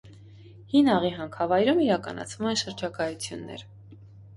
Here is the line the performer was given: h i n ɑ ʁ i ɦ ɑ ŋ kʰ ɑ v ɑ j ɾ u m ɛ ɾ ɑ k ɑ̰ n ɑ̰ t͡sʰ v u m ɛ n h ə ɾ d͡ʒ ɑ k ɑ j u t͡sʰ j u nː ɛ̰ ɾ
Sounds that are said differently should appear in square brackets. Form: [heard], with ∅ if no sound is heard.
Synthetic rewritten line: h i n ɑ ʁ i ɦ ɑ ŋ kʰ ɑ v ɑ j ɾ u m [i] ɾ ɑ k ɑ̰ n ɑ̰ t͡sʰ v u m ɛ n [ʃ] ə ɾ d͡ʒ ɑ k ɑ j u t͡sʰ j u nː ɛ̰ ɾ